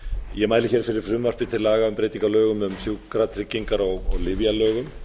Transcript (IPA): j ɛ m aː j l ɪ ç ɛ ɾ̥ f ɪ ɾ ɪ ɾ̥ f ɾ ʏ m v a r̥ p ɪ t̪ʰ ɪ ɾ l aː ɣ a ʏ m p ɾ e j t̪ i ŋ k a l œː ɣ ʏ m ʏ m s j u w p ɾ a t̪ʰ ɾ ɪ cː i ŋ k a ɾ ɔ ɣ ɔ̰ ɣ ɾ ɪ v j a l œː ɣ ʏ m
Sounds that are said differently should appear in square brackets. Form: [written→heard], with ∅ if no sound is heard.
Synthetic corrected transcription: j ɛ m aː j l ɪ ç ɛ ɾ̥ f ɪ ɾ ɪ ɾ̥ f ɾ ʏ m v a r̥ p ɪ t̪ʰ ɪ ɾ l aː ɣ a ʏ m p ɾ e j t̪ i ŋ k a l œː ɣ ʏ m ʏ m s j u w [p→k] ɾ a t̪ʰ ɾ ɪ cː i ŋ k a ɾ ɔ ɣ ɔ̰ ɣ [ɾ→l] ɪ v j a l œː ɣ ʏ m

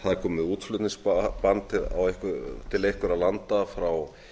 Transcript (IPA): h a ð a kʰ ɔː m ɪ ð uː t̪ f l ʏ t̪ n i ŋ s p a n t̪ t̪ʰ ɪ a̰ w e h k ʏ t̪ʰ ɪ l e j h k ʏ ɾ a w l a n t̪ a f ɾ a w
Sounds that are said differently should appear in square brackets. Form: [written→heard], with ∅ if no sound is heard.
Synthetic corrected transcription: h a ð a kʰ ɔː m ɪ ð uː t̪ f l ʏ t̪ n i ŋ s p a n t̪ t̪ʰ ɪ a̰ w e h k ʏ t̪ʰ ɪ l e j h k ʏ ɾ a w l a n t̪ a f ɾ a w

